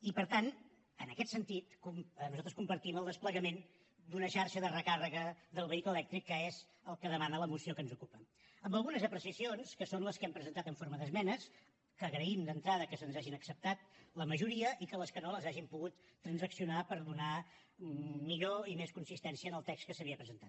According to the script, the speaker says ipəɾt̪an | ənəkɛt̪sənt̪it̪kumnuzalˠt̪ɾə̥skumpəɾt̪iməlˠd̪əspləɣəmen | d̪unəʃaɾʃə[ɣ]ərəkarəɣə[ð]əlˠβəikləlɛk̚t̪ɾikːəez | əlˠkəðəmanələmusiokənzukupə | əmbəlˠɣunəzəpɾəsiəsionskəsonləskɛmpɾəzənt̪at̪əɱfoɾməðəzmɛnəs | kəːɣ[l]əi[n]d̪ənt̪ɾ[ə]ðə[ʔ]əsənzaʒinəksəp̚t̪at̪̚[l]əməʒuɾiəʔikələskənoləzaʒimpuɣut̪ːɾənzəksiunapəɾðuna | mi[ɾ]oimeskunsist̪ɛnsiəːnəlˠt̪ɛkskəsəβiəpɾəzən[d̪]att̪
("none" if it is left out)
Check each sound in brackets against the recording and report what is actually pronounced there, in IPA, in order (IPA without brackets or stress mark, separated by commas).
ð, ð, ɾ, m, a, k, l, ʎ, t̪